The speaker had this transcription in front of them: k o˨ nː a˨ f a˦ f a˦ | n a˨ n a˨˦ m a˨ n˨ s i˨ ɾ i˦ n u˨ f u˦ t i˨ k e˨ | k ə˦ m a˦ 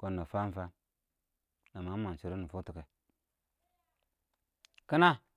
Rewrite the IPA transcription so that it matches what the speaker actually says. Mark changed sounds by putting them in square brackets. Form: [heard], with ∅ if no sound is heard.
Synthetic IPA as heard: k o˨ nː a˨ f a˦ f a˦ | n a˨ [m] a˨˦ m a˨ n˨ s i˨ ɾ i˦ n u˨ f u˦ t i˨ k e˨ | k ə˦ [n] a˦